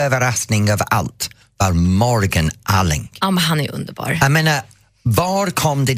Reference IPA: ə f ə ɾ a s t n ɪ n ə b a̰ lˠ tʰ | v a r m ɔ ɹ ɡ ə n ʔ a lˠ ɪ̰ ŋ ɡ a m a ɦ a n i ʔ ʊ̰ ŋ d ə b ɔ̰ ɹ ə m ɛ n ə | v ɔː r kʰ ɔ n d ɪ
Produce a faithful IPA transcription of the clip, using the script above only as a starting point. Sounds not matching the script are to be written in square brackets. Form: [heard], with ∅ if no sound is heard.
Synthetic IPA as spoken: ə [v] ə ɾ a s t n ɪ [ŋ] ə [v] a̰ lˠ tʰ | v a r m ɔ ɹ ɡ ə n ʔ a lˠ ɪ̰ ŋ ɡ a m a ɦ a n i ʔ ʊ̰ [n] d ə b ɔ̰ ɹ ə m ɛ n ə | v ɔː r kʰ ɔ [m] d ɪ